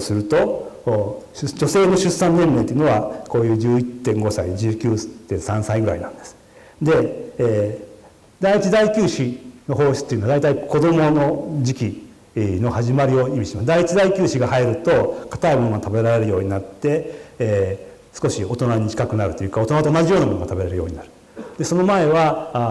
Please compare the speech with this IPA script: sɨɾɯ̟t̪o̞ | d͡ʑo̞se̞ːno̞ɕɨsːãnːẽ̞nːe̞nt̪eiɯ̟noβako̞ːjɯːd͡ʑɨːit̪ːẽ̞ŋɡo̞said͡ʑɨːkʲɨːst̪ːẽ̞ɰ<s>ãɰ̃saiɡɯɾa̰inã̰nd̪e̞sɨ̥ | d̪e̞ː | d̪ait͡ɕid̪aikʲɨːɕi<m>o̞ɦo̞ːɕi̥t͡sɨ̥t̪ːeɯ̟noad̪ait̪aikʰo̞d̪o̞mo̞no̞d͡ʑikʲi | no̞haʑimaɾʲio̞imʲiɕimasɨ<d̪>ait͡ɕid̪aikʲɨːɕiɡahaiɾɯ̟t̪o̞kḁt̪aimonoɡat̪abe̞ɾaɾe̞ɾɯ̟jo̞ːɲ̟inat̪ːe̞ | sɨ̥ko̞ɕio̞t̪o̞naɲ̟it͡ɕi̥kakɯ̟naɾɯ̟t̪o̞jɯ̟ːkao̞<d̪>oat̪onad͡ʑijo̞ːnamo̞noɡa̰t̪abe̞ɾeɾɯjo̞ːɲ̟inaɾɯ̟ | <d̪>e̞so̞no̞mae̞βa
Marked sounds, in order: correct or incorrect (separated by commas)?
correct, incorrect, correct, incorrect, correct